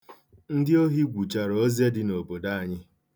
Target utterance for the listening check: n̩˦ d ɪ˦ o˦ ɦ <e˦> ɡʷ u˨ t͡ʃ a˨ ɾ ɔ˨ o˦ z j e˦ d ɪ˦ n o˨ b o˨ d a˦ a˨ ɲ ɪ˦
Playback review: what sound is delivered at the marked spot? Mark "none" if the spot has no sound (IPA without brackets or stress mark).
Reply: i˦